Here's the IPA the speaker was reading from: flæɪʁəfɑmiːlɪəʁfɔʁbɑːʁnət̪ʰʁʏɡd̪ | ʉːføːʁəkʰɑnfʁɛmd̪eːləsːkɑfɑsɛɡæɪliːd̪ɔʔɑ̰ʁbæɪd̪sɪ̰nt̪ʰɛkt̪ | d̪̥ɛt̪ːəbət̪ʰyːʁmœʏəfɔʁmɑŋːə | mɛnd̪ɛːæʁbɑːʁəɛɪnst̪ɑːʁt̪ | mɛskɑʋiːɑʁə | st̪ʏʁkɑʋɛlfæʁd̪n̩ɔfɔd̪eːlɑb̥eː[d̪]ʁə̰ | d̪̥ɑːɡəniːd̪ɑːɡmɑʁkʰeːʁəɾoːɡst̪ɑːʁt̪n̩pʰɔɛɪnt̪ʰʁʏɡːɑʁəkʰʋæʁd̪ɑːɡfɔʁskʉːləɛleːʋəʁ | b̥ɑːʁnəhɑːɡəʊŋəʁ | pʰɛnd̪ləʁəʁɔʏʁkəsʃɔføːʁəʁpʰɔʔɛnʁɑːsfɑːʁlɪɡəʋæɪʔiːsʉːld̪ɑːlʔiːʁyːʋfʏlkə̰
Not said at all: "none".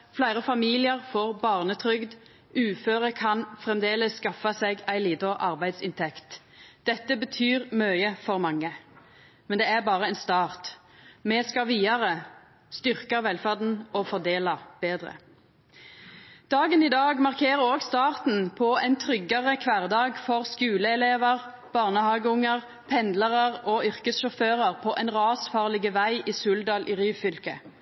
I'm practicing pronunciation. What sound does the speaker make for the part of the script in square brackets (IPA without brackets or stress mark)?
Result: d̪